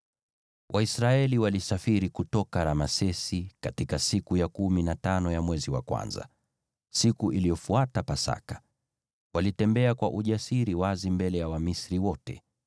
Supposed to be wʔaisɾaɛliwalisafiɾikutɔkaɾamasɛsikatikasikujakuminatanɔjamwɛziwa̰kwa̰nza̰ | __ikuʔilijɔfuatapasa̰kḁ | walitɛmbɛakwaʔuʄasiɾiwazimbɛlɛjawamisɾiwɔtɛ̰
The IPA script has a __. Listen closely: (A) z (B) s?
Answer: B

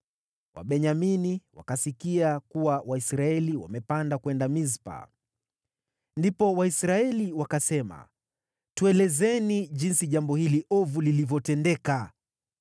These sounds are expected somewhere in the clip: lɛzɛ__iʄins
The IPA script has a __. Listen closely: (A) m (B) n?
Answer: B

